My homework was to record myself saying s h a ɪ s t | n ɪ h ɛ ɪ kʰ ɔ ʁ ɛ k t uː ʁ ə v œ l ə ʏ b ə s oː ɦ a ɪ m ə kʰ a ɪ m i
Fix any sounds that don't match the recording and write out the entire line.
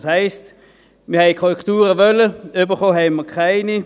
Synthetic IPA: s h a ɪ s t | m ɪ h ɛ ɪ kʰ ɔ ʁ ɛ k t uː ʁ ə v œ l ə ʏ b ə χ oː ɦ ɛ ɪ m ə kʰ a ɪ n i